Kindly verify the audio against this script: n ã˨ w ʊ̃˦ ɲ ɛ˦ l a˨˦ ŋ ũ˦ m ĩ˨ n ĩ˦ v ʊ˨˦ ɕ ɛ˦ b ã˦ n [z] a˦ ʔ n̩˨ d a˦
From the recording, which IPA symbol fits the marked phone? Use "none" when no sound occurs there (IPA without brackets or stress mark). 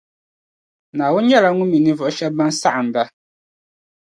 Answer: s